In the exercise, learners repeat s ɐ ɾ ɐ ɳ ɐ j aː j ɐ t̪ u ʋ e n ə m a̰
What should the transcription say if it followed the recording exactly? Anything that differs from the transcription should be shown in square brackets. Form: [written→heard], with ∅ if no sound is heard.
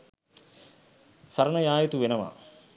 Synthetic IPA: s ɐ ɾ ɐ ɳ ɐ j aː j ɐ t̪ u ʋ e n [ə→ɐ] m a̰